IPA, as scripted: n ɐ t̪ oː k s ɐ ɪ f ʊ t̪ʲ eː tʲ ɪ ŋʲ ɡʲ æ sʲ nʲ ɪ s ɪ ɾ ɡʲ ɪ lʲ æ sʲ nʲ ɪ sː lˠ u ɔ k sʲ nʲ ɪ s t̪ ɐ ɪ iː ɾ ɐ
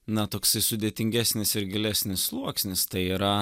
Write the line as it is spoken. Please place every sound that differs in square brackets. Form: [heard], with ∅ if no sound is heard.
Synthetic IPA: n ɐ t̪ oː k s ɐ ɪ [s] ʊ [d̪ʲ] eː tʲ ɪ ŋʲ ɡʲ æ sʲ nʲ ɪ s ɪ ɾ ɡʲ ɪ lʲ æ sʲ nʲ ɪ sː lˠ u ɔ k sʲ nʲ ɪ s t̪ ɐ ɪ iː ɾ ɐ